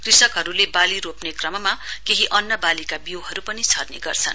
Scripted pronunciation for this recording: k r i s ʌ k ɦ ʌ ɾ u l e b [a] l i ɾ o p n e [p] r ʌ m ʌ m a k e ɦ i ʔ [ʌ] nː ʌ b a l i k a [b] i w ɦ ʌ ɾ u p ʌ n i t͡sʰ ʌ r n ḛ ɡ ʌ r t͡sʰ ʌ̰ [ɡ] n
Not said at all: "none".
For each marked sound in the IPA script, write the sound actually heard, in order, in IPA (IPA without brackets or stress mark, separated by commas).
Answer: a, k, ʌ, b, none